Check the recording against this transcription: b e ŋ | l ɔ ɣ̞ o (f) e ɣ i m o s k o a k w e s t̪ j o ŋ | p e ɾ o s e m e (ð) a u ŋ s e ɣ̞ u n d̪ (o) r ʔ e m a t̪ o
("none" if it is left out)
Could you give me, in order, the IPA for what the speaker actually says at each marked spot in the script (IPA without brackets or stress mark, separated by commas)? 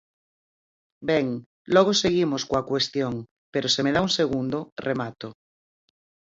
s, ð, o